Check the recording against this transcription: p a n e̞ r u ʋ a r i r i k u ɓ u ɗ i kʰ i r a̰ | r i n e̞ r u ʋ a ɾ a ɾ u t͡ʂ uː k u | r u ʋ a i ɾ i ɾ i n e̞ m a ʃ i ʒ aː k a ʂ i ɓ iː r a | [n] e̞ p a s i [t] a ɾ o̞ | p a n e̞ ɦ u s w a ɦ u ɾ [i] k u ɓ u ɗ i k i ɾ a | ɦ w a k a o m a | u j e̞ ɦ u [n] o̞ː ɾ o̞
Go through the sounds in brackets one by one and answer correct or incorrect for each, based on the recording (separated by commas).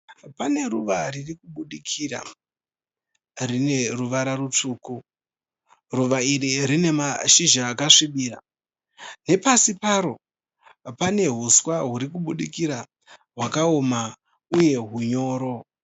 correct, incorrect, correct, incorrect